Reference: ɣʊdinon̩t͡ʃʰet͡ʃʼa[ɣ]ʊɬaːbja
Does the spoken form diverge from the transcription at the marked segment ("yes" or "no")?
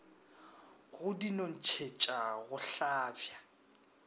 no